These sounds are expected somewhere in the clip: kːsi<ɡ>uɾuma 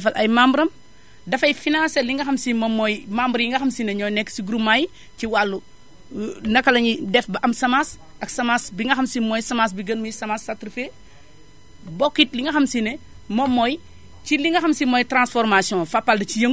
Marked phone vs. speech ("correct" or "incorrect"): correct